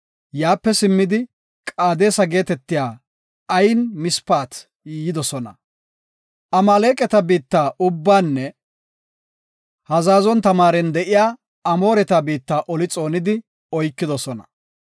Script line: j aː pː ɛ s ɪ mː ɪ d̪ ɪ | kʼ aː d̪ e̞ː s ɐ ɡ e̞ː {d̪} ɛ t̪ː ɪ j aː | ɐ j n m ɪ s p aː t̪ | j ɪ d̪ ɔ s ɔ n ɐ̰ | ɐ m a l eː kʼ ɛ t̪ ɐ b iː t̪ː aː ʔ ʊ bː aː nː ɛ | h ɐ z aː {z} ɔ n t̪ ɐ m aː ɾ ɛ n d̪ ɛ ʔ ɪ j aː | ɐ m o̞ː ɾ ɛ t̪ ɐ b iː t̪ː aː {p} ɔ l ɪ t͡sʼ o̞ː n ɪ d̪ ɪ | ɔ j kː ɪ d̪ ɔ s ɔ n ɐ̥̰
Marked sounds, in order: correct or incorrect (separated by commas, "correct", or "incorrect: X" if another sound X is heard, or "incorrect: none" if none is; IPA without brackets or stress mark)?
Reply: incorrect: t̪, correct, incorrect: ʔ